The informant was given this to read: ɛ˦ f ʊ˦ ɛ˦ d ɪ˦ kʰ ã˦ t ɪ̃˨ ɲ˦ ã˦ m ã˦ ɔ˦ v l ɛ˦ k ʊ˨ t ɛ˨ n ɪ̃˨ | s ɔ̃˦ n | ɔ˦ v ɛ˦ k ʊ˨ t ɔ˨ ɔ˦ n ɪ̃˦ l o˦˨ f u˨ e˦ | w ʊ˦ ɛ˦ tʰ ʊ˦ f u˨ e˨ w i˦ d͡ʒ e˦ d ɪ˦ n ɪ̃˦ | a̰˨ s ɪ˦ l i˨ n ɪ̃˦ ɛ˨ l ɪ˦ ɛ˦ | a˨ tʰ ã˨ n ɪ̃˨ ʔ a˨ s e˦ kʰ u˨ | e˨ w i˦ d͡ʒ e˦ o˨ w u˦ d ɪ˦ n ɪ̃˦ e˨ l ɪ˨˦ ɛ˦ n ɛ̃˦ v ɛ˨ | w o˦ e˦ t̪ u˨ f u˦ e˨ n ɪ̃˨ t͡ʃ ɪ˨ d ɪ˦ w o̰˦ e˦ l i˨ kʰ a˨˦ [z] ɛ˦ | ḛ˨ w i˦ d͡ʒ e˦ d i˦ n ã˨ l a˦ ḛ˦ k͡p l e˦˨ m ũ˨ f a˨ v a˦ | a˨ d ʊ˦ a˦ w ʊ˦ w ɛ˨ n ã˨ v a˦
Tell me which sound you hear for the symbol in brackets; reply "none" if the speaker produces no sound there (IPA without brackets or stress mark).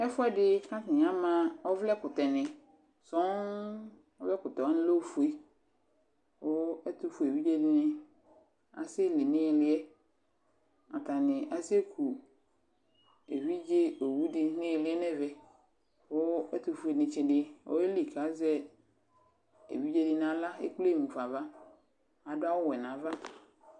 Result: z